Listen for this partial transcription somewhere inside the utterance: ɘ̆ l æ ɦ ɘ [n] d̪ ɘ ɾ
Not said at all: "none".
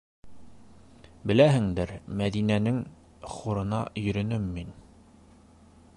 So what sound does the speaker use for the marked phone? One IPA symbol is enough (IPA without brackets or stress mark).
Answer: ŋ